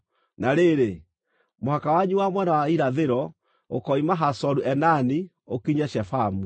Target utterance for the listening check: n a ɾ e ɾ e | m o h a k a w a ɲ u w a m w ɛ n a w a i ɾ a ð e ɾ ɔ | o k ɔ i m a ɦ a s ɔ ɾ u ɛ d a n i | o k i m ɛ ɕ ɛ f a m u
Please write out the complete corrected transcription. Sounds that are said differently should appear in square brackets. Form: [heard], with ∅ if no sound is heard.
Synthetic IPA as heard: n a ɾ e ɾ e | m o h a k a w a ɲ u w a m w ɛ n a w a i ɾ a ð e ɾ ɔ | o k ɔ i m a ɦ a s ɔ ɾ u ɛ [n] a n i | o k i [ɲ] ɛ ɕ ɛ f a m u